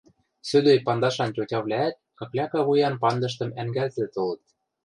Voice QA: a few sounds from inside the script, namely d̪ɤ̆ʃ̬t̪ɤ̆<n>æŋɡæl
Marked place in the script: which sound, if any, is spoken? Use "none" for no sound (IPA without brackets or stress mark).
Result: m